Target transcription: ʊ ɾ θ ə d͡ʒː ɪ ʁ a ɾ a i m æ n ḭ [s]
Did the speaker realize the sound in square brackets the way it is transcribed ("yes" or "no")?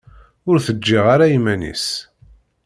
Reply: yes